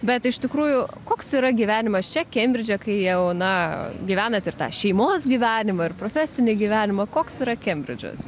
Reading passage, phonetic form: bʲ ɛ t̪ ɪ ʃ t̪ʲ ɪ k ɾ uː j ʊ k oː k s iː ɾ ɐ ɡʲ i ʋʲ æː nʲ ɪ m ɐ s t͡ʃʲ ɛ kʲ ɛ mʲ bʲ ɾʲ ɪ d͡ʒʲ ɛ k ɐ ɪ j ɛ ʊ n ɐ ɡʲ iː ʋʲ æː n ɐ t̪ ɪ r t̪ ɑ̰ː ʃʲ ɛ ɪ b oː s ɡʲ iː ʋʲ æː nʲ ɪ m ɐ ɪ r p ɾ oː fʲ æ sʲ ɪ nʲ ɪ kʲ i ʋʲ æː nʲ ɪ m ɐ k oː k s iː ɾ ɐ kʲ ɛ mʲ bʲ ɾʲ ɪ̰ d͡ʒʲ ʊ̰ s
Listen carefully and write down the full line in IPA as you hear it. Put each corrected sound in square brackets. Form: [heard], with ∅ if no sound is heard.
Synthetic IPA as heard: bʲ ɛ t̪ ɪ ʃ t̪ʲ ɪ k ɾ uː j ʊ k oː k s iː ɾ ɐ ɡʲ i ʋʲ æː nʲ ɪ m ɐ s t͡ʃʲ ɛ kʲ ɛ mʲ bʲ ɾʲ ɪ d͡ʒʲ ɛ k ɐ ɪ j ɛ ʊ n ɐ ɡʲ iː ʋʲ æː n ɐ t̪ ɪ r t̪ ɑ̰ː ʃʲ ɛ ɪ [m] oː s ɡʲ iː ʋʲ æː nʲ ɪ m ɐ ɪ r p ɾ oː fʲ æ sʲ ɪ nʲ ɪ [ɡʲ] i ʋʲ æː nʲ ɪ m ɐ k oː k s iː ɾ ɐ kʲ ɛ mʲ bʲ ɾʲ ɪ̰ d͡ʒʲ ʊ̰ s